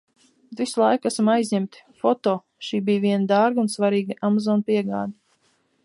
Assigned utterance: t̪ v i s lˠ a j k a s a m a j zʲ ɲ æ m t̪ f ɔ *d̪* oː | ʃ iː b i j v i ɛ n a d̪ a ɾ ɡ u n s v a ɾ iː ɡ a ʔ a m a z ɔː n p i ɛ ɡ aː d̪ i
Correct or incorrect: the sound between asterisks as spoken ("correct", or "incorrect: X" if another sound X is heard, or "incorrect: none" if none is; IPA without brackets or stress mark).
incorrect: t̪